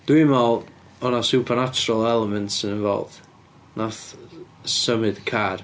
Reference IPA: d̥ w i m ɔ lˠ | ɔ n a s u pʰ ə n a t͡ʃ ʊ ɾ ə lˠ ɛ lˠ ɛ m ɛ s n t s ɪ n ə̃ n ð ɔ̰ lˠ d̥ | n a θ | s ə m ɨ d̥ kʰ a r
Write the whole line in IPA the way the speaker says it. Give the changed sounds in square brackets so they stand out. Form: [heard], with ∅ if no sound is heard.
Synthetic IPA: d̥ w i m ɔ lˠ | ɔ n a s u pʰ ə n a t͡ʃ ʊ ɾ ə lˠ ɛ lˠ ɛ m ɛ [∅] n t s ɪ n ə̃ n [v] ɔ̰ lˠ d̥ | n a θ | s ə m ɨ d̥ kʰ a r